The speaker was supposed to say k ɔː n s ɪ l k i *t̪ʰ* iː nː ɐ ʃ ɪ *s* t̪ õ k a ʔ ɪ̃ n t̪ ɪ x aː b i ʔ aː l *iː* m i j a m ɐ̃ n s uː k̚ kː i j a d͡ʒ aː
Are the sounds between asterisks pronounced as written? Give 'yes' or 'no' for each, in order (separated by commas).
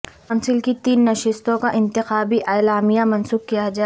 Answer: no, yes, no